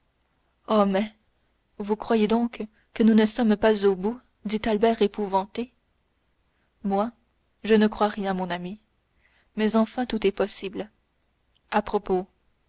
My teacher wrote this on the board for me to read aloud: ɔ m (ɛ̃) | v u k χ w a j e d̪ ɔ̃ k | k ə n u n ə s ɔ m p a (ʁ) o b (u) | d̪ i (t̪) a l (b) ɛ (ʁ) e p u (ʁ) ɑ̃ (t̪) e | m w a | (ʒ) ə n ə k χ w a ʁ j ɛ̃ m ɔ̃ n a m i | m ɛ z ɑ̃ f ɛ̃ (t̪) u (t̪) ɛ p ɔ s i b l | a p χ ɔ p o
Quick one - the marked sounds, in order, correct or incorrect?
incorrect, incorrect, correct, correct, correct, correct, incorrect, correct, correct, correct, correct

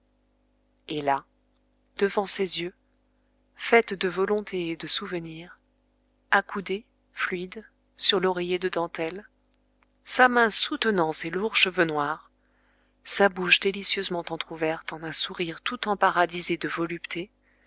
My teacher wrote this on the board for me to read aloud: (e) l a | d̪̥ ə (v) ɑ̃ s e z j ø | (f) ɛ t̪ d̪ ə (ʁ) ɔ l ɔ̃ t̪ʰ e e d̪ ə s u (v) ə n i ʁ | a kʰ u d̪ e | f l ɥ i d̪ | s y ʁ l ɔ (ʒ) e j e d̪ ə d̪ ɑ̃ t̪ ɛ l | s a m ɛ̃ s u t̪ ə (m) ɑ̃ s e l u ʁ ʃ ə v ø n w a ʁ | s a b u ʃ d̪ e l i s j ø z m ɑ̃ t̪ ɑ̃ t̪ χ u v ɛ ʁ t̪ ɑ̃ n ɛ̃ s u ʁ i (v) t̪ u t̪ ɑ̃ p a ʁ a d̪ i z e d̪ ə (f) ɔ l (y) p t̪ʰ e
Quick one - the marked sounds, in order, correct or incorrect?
correct, correct, correct, incorrect, correct, incorrect, incorrect, incorrect, incorrect, correct

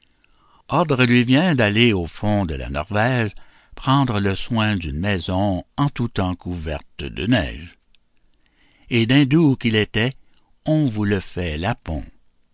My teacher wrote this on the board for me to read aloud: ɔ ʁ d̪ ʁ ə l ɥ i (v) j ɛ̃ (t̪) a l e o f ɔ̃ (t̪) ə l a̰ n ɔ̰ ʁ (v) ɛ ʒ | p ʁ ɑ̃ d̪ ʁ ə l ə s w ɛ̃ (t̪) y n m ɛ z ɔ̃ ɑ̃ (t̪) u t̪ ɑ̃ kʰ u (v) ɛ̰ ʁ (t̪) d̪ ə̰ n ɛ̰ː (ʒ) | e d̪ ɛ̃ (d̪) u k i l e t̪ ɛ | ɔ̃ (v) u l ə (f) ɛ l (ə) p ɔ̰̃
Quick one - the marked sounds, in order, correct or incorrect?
correct, incorrect, incorrect, correct, incorrect, correct, correct, correct, correct, correct, correct, correct, incorrect

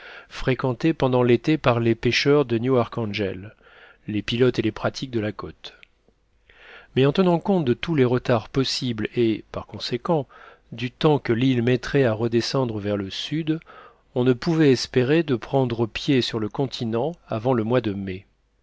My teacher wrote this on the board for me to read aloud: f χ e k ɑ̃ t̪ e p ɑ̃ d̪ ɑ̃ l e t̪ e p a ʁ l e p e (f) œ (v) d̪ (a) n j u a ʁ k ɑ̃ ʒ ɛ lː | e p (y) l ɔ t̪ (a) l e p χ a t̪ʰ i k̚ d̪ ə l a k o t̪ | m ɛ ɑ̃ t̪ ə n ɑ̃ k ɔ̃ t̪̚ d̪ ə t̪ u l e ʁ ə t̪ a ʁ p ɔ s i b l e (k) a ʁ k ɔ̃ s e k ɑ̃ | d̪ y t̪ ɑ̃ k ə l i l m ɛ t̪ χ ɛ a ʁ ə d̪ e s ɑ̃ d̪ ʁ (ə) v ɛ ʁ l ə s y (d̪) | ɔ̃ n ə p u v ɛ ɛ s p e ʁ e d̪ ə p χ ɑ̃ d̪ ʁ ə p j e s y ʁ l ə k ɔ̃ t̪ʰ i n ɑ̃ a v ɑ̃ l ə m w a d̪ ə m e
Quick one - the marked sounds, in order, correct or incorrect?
incorrect, incorrect, incorrect, incorrect, incorrect, incorrect, correct, correct

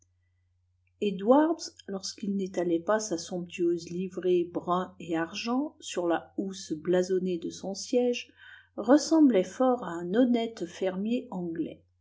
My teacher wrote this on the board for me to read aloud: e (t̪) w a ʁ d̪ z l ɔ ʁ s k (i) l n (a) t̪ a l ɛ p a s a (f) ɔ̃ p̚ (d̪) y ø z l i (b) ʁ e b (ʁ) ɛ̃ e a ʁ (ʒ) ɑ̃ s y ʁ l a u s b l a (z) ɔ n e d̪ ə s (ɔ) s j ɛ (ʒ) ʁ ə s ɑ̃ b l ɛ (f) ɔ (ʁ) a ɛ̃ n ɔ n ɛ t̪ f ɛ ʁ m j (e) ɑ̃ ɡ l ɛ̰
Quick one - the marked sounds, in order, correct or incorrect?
incorrect, correct, incorrect, incorrect, incorrect, incorrect, correct, correct, correct, incorrect, correct, correct, correct, correct

